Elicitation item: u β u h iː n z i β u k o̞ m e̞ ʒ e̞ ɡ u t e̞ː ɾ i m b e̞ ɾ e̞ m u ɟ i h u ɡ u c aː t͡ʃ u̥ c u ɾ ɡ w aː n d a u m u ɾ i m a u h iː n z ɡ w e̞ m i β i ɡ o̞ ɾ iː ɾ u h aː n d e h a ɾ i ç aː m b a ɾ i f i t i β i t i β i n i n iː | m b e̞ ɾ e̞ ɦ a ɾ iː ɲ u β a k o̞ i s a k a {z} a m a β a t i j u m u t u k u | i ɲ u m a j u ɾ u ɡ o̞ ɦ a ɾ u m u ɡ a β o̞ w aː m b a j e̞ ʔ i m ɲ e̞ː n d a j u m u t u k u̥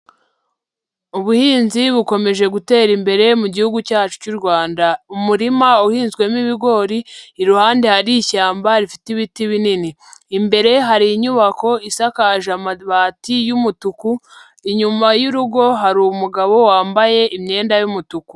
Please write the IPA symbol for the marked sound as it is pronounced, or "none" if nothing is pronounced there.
ʒ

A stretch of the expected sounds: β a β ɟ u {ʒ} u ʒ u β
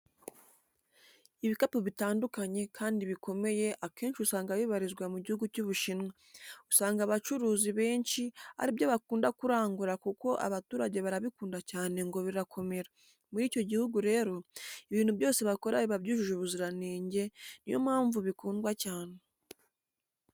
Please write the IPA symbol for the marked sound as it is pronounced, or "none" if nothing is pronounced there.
ʒ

